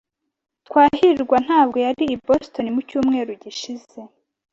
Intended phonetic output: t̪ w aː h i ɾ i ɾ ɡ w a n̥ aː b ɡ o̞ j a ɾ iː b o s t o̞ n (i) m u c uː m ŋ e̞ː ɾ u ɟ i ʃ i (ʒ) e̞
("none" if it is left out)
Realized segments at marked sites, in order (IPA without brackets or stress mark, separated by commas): i, z